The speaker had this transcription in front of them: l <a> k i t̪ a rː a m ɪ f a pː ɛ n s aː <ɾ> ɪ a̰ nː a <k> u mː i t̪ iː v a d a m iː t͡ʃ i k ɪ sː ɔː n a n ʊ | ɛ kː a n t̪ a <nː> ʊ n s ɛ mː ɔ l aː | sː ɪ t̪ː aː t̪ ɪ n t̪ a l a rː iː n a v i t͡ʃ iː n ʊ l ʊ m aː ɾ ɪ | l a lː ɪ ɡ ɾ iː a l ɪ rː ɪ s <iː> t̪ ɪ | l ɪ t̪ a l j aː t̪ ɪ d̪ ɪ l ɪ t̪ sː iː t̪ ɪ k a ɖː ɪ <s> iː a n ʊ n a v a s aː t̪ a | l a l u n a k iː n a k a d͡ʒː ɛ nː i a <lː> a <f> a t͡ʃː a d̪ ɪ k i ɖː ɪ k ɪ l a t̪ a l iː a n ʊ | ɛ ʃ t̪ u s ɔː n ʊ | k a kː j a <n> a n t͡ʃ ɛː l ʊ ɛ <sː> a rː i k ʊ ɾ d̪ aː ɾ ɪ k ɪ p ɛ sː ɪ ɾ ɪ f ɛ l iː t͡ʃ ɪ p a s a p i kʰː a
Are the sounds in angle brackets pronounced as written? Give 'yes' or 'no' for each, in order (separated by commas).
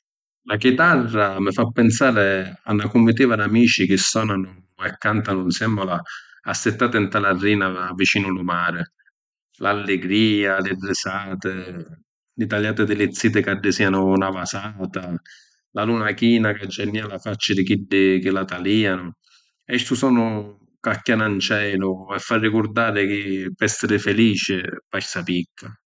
yes, yes, yes, no, no, yes, no, yes, yes, no